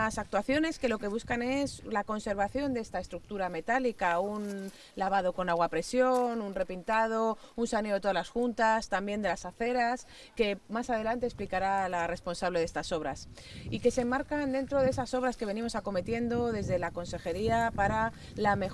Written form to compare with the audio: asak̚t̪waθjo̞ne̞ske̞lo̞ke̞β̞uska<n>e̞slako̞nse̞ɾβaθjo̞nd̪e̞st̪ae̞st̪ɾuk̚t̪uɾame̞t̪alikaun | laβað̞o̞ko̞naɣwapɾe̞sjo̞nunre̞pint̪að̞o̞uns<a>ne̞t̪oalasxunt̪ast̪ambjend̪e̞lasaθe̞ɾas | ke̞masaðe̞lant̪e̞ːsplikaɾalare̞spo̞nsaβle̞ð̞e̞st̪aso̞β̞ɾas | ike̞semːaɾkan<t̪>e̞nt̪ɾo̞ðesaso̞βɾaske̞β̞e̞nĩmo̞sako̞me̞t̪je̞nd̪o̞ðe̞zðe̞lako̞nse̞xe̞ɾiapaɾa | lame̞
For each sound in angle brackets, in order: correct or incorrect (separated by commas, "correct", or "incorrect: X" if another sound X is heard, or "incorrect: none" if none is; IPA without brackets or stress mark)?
correct, correct, incorrect: d̪